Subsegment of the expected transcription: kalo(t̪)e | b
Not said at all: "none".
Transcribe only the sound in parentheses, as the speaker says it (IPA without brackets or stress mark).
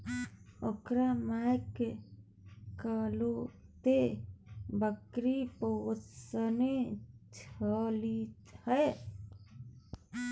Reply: t̪